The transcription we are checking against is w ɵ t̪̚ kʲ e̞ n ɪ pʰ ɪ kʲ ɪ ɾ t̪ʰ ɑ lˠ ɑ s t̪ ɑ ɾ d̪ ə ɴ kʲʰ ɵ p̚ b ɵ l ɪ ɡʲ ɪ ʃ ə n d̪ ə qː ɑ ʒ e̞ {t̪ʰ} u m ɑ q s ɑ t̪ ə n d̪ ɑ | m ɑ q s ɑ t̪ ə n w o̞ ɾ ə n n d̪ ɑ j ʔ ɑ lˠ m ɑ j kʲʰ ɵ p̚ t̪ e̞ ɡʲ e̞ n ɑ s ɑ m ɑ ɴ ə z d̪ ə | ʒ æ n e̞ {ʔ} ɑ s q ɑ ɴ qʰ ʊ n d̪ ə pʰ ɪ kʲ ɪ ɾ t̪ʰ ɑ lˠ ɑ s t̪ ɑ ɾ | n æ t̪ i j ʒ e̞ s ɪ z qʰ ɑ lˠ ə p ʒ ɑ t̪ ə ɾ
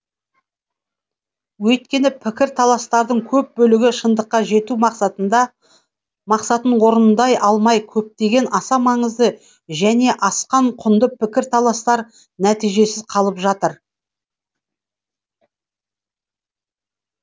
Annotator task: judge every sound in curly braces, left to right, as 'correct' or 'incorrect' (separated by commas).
incorrect, correct